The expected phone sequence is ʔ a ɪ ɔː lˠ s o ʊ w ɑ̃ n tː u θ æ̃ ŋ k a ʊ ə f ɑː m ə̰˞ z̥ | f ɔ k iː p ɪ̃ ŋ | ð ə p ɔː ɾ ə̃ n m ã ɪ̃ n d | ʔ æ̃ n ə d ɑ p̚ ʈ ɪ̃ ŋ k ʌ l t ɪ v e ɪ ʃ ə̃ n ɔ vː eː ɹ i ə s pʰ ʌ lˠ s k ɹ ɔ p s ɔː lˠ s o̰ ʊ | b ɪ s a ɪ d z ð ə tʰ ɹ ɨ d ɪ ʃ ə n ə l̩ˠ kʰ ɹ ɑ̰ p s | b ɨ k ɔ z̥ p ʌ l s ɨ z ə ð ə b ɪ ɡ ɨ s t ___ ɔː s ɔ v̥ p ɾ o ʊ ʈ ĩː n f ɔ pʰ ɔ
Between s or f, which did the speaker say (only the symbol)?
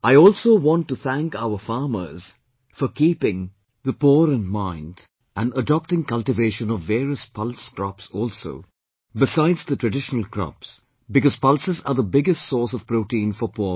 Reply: s